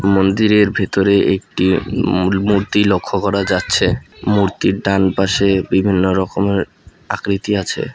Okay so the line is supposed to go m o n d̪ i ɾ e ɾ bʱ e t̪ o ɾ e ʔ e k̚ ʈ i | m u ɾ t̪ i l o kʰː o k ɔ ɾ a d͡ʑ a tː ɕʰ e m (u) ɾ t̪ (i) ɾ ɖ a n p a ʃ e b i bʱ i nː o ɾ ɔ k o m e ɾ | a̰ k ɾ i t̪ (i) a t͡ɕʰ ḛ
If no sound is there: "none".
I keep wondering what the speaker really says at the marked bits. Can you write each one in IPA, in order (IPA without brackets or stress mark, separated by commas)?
u, i, i